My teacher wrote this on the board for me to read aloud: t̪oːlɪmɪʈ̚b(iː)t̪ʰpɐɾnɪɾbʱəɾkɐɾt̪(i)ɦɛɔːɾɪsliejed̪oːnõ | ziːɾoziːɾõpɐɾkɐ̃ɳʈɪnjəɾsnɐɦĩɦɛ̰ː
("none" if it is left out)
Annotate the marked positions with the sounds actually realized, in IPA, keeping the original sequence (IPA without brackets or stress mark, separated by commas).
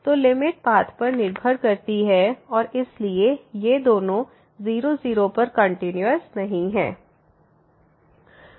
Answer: aː, i